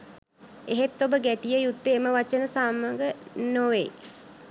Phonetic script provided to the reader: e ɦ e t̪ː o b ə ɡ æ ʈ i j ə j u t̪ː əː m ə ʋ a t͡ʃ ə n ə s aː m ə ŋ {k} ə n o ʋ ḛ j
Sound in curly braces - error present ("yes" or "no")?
yes